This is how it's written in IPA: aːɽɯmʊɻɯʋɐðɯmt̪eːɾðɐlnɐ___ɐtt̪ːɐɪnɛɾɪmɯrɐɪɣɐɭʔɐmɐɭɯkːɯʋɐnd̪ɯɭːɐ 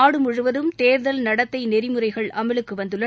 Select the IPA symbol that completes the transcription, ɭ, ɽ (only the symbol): ɽ